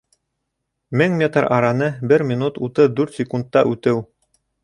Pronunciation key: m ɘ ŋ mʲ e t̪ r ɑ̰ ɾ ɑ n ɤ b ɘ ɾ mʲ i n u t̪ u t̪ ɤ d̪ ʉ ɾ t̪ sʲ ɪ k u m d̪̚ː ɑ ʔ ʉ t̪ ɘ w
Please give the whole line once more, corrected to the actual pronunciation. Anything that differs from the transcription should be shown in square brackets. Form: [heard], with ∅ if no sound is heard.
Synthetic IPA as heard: m ɘ ŋ mʲ e t̪ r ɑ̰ ɾ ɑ n ɤ b ɘ ɾ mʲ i n u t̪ u t̪ ɤ d̪ ʉ ɾ t̪ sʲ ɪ k u [n] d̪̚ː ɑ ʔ ʉ t̪ ɘ w